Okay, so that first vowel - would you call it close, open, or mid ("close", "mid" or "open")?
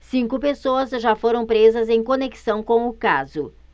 close